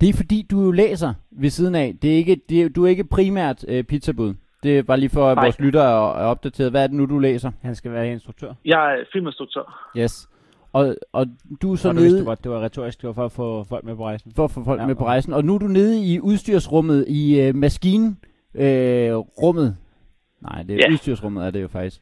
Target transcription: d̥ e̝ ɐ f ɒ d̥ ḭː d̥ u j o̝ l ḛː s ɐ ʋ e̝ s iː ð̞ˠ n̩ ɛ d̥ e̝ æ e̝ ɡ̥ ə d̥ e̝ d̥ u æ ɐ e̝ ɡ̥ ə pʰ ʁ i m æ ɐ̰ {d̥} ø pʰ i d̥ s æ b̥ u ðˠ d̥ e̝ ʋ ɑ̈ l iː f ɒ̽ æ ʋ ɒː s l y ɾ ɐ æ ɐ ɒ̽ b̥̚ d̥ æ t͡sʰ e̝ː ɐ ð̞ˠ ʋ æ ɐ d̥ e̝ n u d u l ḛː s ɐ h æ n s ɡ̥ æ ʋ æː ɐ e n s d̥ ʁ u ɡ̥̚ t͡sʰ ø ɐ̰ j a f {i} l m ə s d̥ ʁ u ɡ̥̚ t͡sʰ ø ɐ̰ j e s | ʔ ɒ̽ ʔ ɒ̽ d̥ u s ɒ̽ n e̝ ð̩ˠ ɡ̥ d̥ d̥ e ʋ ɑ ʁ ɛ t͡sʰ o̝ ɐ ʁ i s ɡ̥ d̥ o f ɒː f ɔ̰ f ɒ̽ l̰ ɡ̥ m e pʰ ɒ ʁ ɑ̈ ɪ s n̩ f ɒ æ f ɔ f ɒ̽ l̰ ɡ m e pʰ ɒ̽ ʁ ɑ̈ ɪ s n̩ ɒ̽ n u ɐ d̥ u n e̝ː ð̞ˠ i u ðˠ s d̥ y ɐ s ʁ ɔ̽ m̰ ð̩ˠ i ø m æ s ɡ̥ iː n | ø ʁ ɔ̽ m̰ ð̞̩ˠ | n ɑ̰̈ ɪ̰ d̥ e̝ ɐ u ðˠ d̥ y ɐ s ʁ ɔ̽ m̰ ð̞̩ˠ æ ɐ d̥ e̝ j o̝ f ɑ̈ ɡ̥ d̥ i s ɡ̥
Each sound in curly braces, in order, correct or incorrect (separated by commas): correct, correct